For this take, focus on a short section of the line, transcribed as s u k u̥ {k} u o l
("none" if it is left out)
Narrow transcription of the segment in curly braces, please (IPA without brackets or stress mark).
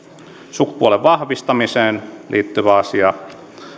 p